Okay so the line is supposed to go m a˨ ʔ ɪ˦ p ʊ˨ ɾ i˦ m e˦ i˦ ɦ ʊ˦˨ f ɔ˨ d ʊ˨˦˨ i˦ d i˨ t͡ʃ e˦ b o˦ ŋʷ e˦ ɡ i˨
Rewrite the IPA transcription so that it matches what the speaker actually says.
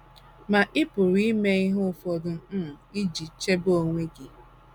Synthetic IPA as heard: m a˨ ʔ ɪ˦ p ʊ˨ ɾ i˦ m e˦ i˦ ɦ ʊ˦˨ f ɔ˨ d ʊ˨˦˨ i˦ d͡ʒ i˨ t͡ʃ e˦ b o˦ ŋʷ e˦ ɡ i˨